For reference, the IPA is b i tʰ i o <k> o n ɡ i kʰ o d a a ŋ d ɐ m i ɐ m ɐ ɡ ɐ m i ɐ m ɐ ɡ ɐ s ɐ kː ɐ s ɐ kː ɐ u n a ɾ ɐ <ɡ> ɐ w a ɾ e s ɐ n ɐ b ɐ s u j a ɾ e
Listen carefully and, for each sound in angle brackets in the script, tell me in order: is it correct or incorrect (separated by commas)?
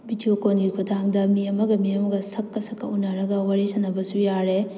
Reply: correct, correct